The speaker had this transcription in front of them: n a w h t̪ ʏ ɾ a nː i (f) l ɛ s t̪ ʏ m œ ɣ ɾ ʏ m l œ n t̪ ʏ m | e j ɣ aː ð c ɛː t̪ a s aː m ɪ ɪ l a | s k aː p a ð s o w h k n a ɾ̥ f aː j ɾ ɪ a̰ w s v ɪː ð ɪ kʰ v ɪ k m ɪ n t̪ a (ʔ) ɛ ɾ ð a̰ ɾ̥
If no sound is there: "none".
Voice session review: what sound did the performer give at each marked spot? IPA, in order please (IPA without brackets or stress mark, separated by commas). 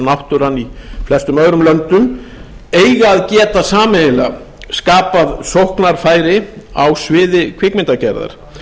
f, c